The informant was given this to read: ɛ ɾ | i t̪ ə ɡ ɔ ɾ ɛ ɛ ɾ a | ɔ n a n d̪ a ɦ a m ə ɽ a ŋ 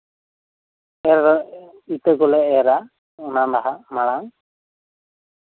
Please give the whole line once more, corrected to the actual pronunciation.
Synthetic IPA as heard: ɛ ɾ | i t̪ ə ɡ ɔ l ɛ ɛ ɾ a | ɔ n a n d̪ a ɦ a m a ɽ a ŋ

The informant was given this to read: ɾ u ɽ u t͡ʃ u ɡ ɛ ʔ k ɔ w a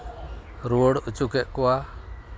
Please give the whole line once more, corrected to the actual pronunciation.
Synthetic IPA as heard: ɾ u ɽ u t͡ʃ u k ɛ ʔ k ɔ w a

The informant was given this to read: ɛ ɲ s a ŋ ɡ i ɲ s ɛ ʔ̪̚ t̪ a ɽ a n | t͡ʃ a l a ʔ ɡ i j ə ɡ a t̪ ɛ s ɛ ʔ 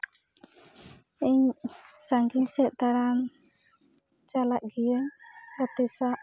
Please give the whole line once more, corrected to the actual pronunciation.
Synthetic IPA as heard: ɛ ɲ s a ŋ ɡ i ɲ s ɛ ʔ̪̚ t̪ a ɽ a n | t͡ʃ a l a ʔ ɡ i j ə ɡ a t̪ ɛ s a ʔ

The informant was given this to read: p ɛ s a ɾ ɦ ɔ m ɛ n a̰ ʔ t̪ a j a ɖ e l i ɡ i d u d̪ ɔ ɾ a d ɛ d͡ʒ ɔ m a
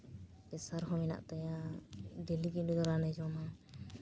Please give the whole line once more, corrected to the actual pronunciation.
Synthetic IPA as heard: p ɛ s a ɾ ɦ ɔ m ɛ n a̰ ʔ t̪ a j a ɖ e l i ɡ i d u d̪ ɔ ɾ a n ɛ d͡ʒ ɔ m a

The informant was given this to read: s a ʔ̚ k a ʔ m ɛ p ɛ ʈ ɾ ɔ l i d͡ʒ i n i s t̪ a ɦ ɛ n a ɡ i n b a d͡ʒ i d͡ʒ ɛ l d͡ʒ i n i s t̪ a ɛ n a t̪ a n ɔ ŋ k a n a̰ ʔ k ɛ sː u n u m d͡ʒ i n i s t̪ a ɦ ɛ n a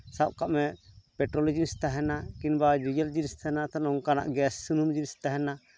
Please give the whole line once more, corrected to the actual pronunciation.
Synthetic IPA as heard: s a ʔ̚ k a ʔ m ɛ p ɛ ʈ ɾ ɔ l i d͡ʒ i n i s t̪ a ɦ ɛ n a k i n b a d͡ʒ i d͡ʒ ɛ l d͡ʒ i n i s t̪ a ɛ n a t̪ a n ɔ ŋ k a n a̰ ʔ ɡ ɛ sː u n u m d͡ʒ i n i s t̪ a ɦ ɛ n a

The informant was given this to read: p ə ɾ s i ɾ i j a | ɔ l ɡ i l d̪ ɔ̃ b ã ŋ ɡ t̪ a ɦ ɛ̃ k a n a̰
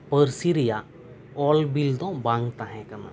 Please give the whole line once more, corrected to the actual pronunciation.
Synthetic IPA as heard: p ə ɾ s i ɾ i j a | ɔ l b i l d̪ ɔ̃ b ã ŋ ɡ t̪ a ɦ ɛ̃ k a n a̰

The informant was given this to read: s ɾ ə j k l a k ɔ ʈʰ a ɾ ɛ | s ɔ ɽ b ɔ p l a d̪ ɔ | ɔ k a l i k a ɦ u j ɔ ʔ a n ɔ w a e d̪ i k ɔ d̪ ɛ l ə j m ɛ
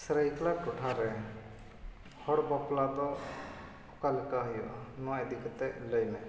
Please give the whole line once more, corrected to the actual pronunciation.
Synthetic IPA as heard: s ɾ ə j k l a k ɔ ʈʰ a ɾ ɛ | h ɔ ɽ b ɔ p l a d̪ ɔ | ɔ k a l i k a ɦ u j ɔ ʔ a n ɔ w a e d̪ i k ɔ t̪ ɛ l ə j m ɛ

